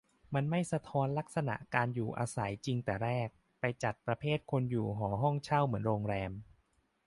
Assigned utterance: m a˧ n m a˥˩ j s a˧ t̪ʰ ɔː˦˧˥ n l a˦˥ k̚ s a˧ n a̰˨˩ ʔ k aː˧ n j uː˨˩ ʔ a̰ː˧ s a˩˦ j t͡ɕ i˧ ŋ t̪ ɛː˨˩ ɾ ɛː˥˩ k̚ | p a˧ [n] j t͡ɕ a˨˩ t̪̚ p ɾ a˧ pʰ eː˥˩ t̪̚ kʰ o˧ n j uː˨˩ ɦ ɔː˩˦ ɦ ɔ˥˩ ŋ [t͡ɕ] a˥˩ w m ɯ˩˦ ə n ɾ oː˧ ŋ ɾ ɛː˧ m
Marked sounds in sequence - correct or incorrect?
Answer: incorrect: none, incorrect: t͡ɕʰ

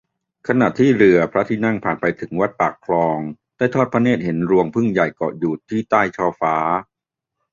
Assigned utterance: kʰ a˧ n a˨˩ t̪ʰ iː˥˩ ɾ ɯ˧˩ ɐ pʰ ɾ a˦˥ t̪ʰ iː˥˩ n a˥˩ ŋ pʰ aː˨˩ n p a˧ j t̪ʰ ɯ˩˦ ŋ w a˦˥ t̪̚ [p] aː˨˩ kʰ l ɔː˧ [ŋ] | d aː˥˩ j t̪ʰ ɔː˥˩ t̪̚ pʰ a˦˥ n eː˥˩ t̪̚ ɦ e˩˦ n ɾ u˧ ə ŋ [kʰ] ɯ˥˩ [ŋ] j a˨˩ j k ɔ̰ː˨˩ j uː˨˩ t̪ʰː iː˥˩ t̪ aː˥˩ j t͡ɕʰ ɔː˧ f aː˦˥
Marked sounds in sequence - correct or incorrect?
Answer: correct, correct, incorrect: pʰ, correct

